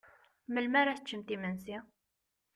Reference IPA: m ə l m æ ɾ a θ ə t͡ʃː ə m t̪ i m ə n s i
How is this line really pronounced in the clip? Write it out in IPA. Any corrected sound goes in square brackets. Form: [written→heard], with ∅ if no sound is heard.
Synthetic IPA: m ə l m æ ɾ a θ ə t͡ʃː ə m t̪ i m ə n s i